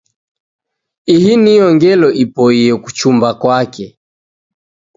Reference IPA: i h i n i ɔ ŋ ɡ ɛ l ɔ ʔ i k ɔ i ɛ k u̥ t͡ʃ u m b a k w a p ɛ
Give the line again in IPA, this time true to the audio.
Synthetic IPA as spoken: i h i n i ɔ ŋ ɡ ɛ l ɔ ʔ i p ɔ i ɛ k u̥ t͡ʃ u m b a k w a k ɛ